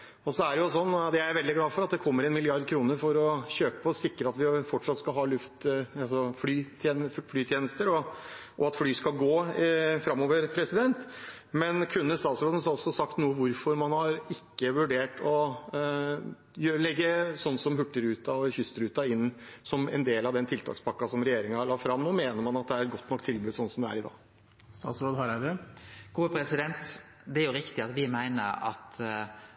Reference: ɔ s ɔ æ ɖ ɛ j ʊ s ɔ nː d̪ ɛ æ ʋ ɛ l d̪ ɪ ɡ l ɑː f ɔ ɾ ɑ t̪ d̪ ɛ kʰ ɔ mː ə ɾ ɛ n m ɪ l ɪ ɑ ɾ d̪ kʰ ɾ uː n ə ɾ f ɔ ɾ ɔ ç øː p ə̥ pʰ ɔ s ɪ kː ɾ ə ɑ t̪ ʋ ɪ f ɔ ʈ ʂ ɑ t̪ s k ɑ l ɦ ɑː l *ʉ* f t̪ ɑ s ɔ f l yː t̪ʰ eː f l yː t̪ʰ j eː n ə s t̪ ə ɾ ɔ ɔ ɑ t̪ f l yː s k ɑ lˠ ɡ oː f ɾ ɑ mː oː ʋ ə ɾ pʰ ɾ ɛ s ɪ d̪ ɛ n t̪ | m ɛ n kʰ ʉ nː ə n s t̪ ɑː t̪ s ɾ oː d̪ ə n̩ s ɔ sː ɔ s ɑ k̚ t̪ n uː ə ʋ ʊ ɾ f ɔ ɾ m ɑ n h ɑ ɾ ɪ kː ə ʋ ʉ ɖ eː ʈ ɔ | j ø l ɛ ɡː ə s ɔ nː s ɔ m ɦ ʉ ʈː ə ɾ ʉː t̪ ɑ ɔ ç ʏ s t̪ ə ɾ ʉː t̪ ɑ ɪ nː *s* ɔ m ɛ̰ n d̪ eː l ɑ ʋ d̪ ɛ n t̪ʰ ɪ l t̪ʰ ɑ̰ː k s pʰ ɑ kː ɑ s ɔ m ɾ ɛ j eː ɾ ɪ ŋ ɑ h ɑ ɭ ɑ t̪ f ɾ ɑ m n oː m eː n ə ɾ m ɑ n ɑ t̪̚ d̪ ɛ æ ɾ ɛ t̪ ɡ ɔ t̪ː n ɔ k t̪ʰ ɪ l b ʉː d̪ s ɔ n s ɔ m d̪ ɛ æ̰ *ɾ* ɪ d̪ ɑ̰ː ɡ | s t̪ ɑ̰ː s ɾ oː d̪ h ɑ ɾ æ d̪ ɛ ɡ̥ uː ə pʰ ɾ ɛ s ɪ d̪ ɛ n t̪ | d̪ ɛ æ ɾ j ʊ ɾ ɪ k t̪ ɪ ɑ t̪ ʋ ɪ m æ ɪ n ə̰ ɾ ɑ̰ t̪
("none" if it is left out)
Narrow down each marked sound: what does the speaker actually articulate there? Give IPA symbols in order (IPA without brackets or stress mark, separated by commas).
ʉ, s, ɾ